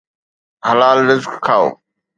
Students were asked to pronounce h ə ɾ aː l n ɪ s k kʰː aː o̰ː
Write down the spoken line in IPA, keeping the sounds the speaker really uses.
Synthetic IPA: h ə l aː l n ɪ z k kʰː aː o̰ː